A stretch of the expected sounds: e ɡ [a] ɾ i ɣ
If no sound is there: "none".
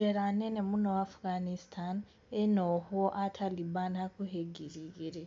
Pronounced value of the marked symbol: i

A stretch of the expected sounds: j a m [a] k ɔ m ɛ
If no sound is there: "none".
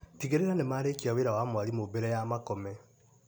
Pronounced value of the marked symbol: a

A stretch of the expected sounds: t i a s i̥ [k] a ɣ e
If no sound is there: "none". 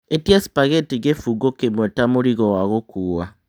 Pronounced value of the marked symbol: p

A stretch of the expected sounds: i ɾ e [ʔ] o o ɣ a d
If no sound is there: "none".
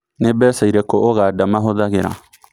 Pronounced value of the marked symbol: k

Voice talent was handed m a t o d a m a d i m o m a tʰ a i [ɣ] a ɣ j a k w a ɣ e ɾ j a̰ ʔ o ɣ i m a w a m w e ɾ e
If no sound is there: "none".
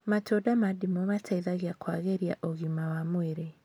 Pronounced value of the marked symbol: ð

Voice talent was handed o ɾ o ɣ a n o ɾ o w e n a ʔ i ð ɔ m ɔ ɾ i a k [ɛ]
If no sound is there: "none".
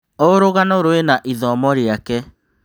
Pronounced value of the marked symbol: ɛ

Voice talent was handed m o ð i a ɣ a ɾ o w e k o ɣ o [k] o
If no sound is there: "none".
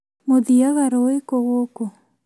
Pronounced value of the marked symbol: k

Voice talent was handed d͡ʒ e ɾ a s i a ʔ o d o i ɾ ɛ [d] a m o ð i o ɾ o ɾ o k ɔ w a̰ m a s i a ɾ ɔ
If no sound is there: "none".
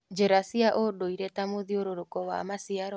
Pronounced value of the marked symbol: t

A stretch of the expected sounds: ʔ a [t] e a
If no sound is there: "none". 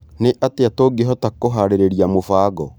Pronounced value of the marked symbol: t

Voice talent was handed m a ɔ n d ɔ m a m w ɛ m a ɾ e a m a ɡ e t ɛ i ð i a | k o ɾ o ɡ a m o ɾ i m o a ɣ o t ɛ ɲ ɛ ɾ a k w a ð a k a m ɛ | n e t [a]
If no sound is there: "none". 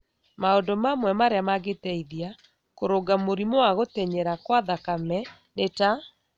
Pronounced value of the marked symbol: a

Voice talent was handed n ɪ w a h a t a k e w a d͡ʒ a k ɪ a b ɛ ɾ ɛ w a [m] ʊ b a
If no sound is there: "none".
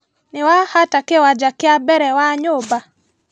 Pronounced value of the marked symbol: ɲ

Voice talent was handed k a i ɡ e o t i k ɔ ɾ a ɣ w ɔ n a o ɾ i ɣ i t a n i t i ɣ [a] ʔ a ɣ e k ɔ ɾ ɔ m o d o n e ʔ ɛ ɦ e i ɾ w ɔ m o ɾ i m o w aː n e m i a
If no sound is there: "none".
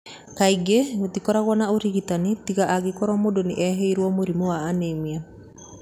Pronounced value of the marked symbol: a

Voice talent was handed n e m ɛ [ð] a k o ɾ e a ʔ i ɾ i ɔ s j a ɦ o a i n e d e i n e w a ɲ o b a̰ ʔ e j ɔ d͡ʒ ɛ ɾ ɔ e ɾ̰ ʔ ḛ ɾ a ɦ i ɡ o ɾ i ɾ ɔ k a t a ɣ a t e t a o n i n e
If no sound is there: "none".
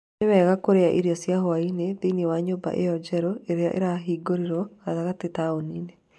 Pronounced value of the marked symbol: ɣ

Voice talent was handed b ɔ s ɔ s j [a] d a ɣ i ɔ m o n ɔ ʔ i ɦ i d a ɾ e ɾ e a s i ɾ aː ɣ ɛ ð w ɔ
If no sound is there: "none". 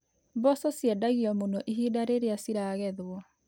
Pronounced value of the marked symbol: ɛ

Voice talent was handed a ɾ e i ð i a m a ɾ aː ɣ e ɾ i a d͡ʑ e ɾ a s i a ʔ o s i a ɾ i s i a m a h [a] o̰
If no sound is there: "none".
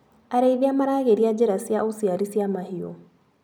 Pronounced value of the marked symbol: i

